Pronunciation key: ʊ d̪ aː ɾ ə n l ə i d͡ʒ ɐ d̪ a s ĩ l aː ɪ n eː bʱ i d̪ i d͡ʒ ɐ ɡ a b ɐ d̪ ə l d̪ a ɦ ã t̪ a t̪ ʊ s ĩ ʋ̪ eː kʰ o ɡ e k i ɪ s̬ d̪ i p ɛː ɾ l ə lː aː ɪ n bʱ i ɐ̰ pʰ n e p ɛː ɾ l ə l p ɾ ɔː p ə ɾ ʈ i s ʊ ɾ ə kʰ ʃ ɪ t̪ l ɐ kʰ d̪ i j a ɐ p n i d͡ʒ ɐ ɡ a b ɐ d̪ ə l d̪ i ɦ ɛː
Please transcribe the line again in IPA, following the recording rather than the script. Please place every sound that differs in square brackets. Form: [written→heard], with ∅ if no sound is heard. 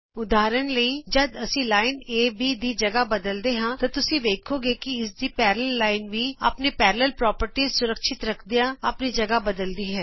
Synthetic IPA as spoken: ʊ d̪ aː ɾ ə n l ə i d͡ʒ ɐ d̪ [a→ɐ] s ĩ l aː ɪ n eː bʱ i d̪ i d͡ʒ ɐ ɡ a b ɐ d̪ ə l d̪ [a→e] ɦ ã t̪ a t̪ ʊ s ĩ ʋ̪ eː kʰ o ɡ e k i ɪ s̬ d̪ i p ɛː ɾ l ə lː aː ɪ n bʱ i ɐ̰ [pʰ→p] n e p ɛː ɾ l ə l p ɾ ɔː p ə ɾ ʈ i s ʊ ɾ ə [kʰ→k] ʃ ɪ t̪ [l→ɾ] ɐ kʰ d̪ i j a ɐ p n i d͡ʒ ɐ ɡ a b ɐ d̪ ə l d̪ i ɦ ɛː